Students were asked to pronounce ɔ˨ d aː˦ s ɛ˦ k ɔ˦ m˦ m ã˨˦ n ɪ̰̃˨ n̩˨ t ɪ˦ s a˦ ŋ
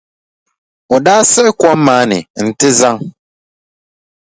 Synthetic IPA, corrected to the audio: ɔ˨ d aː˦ s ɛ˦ k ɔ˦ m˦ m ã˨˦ n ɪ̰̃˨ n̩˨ t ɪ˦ z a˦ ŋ